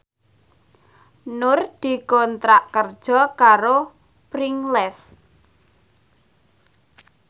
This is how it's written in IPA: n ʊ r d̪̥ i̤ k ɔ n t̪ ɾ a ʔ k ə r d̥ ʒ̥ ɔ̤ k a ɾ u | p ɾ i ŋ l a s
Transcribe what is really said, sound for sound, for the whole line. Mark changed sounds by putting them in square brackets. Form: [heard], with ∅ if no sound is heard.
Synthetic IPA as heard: n ʊ r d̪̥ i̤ k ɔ n t̪ ɾ a ʔ k ə r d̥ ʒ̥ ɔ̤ k a ɾ [o] | p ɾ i ŋ l [ɛ] s